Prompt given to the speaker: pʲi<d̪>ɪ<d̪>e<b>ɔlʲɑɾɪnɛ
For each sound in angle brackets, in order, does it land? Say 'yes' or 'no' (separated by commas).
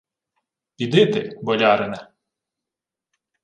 yes, no, yes